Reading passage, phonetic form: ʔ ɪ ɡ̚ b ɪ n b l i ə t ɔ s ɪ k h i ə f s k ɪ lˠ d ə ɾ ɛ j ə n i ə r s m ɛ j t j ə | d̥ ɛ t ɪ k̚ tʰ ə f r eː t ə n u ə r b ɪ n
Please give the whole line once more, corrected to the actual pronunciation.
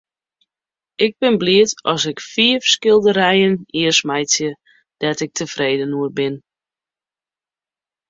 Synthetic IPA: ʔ ɪ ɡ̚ b ɪ n b l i ə t ɔ s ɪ k f i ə f s k ɪ lˠ d ə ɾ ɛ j ə n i ə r s m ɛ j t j ə | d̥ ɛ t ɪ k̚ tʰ ə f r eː d ə n u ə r b ɪ n